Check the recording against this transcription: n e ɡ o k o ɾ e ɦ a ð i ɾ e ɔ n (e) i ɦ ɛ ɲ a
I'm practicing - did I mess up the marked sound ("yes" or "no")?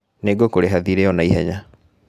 yes